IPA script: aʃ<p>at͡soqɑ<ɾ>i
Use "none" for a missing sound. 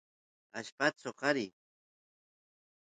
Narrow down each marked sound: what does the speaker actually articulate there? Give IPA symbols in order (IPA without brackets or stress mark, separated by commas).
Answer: p, ɾ